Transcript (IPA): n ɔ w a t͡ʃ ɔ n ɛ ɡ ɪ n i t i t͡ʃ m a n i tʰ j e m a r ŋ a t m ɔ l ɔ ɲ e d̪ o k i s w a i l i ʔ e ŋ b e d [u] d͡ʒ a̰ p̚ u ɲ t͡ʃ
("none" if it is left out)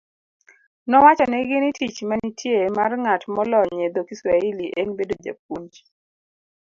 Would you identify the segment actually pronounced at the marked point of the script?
o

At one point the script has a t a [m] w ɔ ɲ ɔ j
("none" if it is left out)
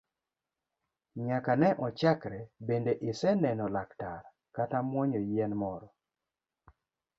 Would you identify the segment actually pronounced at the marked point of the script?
m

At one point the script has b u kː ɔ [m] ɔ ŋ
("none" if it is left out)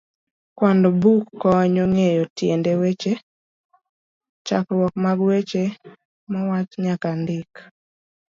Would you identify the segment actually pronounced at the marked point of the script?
ɲ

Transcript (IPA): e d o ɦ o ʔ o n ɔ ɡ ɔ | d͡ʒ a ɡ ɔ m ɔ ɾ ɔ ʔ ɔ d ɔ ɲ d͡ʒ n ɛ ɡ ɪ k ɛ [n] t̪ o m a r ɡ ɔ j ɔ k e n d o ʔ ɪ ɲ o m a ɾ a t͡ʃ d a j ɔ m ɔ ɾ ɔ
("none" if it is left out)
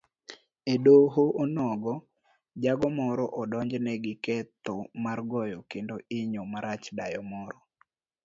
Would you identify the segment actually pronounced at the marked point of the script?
none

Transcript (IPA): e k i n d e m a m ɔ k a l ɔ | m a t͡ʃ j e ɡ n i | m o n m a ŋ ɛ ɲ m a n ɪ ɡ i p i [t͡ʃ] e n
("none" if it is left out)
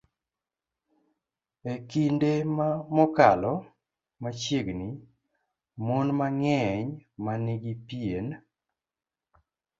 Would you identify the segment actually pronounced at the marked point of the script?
none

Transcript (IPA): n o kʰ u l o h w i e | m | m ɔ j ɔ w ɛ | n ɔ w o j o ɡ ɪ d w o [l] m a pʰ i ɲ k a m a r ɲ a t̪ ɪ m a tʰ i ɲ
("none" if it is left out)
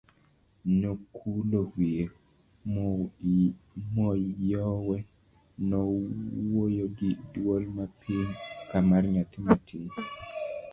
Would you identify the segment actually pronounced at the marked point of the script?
l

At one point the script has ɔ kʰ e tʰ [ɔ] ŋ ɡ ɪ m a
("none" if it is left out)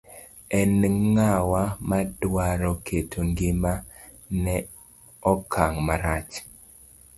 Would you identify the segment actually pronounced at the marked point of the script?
o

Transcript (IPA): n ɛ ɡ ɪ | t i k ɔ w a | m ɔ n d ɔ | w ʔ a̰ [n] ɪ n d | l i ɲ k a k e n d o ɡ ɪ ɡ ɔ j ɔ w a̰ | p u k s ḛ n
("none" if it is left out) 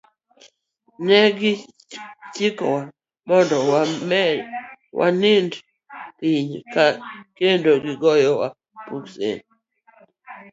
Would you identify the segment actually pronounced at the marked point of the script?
n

